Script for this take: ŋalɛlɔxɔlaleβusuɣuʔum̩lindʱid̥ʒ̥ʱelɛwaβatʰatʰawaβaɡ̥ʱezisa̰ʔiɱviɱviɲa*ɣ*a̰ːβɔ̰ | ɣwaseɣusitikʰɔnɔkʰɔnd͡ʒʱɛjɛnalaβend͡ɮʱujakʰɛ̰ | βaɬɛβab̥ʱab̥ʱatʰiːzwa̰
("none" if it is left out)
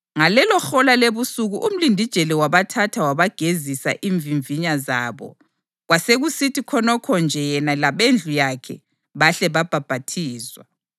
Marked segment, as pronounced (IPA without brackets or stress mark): z